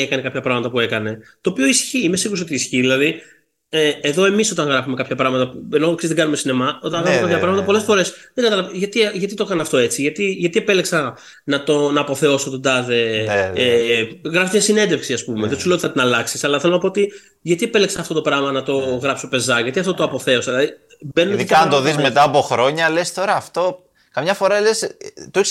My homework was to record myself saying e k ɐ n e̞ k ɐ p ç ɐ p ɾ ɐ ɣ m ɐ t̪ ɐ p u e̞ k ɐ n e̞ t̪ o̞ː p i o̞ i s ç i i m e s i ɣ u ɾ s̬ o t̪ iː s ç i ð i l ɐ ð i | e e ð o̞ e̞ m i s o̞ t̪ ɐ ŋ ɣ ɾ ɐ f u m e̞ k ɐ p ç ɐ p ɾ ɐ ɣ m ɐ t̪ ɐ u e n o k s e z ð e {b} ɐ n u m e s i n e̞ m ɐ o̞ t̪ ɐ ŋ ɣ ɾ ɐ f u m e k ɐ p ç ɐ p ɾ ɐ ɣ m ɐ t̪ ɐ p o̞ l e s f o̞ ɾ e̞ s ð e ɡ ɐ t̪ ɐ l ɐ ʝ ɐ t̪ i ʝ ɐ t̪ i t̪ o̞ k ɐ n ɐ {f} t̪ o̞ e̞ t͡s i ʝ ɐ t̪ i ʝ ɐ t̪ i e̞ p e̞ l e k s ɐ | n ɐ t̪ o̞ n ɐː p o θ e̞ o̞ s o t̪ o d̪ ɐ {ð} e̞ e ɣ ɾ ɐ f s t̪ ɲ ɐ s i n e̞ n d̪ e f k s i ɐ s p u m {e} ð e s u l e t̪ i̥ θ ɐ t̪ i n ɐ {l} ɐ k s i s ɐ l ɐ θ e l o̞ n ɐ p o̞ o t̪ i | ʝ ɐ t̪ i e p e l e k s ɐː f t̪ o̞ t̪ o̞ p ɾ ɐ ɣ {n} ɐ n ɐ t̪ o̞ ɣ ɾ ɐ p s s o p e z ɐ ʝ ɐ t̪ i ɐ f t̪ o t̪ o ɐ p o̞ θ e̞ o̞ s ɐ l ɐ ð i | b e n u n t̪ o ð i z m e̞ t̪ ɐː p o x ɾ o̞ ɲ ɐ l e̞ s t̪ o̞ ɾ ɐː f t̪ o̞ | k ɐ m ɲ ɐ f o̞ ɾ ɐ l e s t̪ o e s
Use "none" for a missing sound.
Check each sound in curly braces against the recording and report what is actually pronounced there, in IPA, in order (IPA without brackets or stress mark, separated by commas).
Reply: ɡ, f, ð, e, l, m